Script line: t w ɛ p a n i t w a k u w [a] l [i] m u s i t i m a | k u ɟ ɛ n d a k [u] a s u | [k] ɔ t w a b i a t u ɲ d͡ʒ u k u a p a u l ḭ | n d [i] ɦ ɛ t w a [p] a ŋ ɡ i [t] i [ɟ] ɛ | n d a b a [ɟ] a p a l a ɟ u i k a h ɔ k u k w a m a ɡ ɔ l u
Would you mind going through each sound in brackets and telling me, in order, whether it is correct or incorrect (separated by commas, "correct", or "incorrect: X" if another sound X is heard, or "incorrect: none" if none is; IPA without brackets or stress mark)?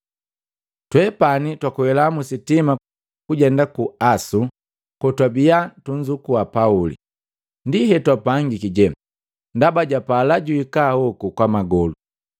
incorrect: ɛ, incorrect: a, correct, correct, correct, correct, incorrect: k, correct, correct